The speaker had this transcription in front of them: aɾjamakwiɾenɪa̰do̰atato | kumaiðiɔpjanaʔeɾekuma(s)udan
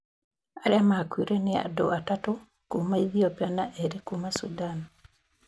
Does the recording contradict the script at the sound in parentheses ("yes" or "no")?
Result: no